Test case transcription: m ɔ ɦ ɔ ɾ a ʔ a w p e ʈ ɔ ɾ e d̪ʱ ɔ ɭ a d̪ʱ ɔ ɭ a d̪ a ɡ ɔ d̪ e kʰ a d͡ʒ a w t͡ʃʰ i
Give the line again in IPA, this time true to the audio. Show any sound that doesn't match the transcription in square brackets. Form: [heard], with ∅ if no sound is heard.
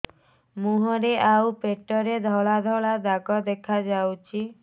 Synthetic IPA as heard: m [u] ɦ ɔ ɾ [e] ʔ a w p e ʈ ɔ ɾ e d̪ʱ ɔ ɭ a d̪ʱ ɔ ɭ a d̪ a ɡ ɔ d̪ e kʰ a d͡ʒ a w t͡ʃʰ i